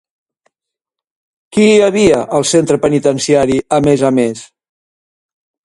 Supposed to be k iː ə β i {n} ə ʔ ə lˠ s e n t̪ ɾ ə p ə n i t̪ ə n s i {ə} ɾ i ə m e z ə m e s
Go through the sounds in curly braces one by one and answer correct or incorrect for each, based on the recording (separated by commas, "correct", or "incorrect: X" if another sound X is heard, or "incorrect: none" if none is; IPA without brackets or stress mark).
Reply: incorrect: none, incorrect: a